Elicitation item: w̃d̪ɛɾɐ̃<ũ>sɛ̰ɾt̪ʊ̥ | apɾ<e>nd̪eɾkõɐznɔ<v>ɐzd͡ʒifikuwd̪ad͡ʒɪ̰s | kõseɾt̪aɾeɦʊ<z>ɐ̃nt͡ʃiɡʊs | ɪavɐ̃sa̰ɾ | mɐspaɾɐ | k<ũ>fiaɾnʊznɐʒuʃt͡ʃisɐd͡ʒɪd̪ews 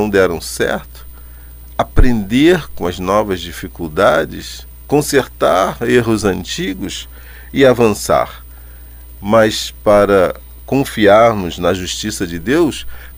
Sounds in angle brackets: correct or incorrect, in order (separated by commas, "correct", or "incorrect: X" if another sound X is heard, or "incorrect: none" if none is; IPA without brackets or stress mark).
incorrect: w̃, incorrect: ẽ, correct, correct, incorrect: õ